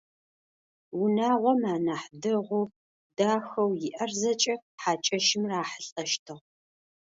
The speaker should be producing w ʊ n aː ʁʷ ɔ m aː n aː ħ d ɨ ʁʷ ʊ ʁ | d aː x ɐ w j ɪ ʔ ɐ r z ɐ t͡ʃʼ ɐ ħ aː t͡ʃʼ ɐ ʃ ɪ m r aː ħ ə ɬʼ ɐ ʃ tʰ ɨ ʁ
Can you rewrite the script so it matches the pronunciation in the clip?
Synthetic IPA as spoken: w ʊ n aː ʁʷ ɔ m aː n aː ħ d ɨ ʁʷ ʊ | d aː x ɐ w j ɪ ʔ ɐ r z ɐ t͡ʃʼ ɐ ħ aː t͡ʃʼ ɐ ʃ ɪ m r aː ħ ə ɬʼ ɐ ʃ tʰ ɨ ʁ